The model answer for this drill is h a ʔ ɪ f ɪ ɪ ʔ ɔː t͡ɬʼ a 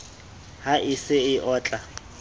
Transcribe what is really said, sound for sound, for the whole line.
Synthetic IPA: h a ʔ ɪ s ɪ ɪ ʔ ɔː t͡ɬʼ a